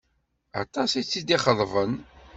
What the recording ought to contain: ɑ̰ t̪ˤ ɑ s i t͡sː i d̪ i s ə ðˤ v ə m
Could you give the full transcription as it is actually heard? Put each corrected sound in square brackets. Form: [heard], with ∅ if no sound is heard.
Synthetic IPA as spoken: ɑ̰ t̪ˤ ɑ s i t͡sː i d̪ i [χ] ə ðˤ v ə [n]

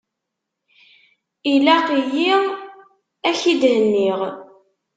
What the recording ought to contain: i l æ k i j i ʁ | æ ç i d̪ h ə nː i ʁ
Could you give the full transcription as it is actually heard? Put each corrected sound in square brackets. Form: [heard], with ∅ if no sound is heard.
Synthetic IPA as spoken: i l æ [q] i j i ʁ | æ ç i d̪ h ə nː i ʁ

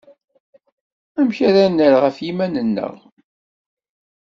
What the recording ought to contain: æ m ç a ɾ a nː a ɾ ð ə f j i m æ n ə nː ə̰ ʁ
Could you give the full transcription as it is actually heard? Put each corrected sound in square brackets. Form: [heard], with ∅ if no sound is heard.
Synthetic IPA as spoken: æ m ç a ɾ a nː [ə] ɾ [ʁ] ə f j i m æ n ə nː ə̰ ʁ

